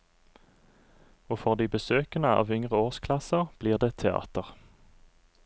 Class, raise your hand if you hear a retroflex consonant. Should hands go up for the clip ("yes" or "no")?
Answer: no